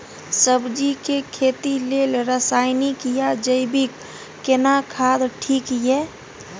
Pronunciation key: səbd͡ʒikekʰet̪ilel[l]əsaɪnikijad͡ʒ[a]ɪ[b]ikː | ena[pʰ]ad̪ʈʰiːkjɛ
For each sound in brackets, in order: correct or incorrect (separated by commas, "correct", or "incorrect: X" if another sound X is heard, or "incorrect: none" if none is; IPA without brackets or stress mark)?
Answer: incorrect: ɾ, incorrect: ə, correct, incorrect: kʰ